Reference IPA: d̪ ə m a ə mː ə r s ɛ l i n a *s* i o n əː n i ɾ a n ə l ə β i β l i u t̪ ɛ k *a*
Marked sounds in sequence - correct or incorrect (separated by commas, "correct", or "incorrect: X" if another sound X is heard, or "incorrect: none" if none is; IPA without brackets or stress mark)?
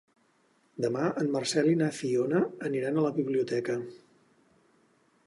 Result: incorrect: f, incorrect: ə